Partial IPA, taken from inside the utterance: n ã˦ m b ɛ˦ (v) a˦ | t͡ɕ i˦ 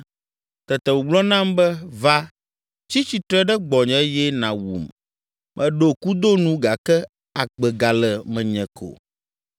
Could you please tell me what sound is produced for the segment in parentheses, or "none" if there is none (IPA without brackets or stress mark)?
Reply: v